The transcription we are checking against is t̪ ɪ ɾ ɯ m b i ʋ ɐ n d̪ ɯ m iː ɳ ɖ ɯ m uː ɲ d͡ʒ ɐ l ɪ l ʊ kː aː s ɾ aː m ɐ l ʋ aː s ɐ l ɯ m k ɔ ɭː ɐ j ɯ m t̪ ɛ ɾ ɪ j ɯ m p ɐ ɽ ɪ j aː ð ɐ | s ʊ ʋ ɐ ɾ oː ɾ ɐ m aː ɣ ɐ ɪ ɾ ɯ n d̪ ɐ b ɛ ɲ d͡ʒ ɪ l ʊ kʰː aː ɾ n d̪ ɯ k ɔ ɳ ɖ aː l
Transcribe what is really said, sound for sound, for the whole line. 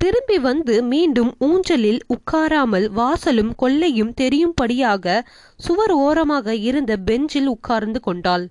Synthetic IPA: t̪ ɪ ɾ ɯ m b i ʋ ɐ n d̪ ɯ m iː ɳ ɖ ɯ m uː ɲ d͡ʒ ɐ l ɪ l ʊ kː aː ɾ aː m ɐ l ʋ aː s ɐ l ɯ m k ɔ ɭː ɐ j ɯ m t̪ ɛ ɾ ɪ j ɯ m p ɐ ɽ ɪ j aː ɣ ɐ | s ʊ ʋ ɐ ɾ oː ɾ ɐ m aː ɣ ɐ ɪ ɾ ɯ n d̪ ɐ b ɛ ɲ d͡ʒ ɪ l ʊ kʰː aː ɾ n d̪ ɯ k ɔ ɳ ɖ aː l